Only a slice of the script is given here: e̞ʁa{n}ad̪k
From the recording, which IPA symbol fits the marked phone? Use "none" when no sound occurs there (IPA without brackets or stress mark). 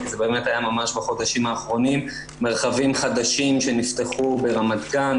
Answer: m